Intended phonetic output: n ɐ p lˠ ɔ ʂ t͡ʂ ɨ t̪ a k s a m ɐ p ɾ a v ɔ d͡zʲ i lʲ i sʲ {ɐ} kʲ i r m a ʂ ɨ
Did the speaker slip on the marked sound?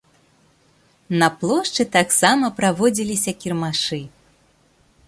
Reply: no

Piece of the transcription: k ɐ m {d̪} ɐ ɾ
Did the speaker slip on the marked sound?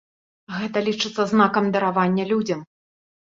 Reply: no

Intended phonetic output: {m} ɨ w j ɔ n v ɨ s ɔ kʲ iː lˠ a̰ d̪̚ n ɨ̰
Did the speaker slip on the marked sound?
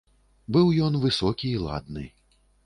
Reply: yes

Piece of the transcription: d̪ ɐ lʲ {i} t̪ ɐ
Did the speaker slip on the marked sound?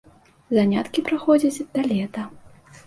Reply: yes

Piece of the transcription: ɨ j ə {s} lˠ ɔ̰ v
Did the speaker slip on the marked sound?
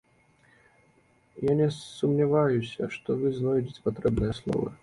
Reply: no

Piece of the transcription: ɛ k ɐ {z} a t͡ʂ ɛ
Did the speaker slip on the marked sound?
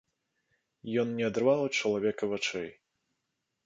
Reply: yes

